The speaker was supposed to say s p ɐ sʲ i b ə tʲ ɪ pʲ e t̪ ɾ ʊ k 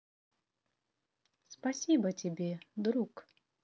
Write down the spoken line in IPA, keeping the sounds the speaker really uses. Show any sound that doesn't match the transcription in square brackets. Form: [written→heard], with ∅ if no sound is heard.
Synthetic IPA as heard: s p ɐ sʲ i b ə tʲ ɪ [pʲ→bʲ] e [t̪→d̪] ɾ [ʊ→u] k